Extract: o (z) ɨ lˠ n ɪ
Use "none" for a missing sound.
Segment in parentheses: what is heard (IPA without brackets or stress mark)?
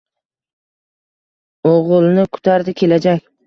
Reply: ʁ